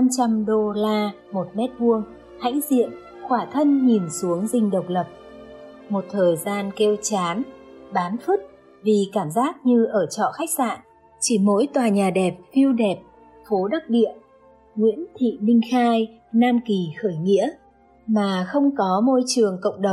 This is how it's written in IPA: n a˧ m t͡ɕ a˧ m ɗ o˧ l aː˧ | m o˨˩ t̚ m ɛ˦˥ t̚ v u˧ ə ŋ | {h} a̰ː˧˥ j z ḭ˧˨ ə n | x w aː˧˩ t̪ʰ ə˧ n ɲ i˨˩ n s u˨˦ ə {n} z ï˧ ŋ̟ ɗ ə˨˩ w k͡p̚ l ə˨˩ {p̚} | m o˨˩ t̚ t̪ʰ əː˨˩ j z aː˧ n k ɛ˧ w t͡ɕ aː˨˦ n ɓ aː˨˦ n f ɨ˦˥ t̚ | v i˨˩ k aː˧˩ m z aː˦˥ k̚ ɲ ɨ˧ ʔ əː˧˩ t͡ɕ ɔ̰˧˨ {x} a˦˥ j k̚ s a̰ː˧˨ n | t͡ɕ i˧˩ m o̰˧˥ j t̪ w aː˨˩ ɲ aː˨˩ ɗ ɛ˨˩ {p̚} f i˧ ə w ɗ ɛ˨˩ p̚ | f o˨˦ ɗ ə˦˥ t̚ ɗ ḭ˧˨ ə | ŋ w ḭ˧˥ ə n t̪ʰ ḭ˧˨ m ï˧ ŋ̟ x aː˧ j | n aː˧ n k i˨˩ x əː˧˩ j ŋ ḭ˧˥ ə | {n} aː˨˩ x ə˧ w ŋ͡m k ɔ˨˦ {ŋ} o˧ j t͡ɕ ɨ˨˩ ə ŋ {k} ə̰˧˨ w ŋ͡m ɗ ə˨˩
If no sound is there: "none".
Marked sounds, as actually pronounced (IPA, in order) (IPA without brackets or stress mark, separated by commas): h, ŋ, p̚, x, p̚, m, m, k